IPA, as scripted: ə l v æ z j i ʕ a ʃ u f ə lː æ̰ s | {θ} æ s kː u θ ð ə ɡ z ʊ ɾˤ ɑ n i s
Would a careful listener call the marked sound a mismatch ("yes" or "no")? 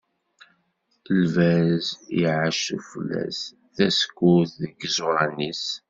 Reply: no